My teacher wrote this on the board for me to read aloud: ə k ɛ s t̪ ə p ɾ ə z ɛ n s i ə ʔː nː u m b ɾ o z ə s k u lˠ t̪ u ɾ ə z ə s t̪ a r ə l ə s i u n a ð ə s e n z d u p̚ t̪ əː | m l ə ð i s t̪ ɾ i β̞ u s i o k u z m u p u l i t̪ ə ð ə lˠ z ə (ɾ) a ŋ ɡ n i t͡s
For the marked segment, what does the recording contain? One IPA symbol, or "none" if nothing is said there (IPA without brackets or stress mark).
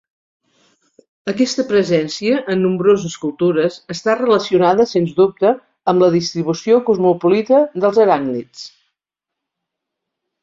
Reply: ɾ